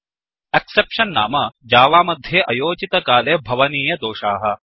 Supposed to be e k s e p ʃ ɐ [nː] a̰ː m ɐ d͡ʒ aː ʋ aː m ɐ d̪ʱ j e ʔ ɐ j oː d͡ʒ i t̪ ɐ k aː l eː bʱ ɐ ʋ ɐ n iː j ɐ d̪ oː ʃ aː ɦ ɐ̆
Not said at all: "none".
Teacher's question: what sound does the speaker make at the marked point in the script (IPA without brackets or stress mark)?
nː